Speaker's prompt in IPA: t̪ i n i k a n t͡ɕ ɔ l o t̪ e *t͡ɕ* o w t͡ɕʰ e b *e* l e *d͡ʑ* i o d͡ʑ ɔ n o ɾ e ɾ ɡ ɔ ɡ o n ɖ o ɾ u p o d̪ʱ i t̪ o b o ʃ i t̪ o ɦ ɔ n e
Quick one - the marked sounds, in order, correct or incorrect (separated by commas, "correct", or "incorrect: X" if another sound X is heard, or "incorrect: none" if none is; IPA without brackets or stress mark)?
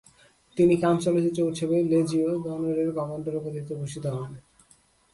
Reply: correct, correct, correct